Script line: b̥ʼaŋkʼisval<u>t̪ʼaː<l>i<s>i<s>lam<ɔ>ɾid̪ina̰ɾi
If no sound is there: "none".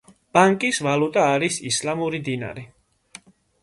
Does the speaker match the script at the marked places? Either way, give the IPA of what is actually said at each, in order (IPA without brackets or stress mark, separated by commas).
u, ɾ, s, s, u